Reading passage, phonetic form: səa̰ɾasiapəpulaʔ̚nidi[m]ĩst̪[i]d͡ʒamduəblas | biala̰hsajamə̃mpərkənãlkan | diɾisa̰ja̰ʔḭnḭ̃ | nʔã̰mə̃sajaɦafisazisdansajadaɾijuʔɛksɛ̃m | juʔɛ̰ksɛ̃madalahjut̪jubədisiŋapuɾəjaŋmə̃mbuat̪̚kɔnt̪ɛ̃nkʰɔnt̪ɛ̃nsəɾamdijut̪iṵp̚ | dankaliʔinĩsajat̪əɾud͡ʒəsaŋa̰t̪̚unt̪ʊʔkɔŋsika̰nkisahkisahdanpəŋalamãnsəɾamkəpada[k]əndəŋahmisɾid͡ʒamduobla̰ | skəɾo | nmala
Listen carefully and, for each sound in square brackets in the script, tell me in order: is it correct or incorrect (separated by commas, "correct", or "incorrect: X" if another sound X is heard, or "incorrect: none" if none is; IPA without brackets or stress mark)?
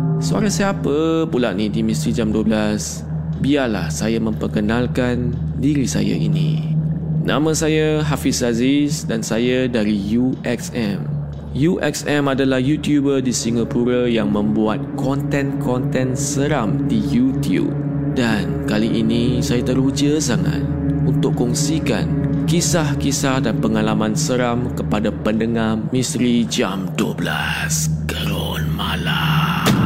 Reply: correct, correct, incorrect: p